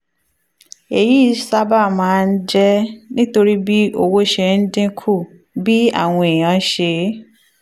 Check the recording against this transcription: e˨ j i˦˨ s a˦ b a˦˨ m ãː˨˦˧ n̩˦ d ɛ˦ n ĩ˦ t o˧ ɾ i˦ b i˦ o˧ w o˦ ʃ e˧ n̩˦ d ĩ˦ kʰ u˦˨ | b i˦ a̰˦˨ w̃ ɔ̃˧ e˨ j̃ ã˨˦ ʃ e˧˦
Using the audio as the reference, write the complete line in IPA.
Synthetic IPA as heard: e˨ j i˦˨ s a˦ b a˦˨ m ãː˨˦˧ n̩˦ d͡ʒ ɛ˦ n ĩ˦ t o˧ ɾ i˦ b i˦ o˧ w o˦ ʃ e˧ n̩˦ d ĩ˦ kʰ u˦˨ | b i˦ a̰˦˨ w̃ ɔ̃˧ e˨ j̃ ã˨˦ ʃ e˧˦